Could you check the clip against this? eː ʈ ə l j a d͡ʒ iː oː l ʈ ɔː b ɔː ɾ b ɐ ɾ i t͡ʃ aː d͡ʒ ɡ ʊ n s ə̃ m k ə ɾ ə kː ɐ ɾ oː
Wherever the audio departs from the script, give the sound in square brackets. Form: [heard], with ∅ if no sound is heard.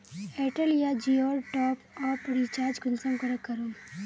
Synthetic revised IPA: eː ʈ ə l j a d͡ʒ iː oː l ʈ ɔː [p] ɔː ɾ [p] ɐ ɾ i t͡ʃ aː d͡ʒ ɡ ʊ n s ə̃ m k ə ɾ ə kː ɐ ɾ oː